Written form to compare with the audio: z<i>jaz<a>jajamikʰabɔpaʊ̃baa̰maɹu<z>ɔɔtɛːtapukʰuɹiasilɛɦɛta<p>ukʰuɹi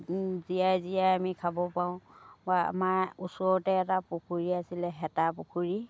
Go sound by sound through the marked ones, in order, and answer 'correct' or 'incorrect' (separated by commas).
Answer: correct, incorrect, incorrect, correct